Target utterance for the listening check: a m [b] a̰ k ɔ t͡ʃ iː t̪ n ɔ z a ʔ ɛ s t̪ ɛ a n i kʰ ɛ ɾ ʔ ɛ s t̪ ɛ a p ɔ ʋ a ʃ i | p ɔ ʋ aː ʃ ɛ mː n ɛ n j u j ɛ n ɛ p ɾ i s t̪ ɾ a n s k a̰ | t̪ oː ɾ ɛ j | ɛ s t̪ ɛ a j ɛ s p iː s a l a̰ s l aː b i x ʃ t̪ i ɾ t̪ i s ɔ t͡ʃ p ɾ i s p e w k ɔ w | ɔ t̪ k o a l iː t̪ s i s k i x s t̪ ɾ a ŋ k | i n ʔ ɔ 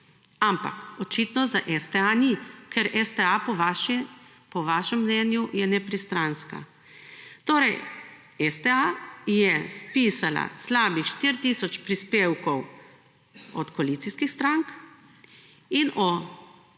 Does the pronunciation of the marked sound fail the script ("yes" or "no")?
yes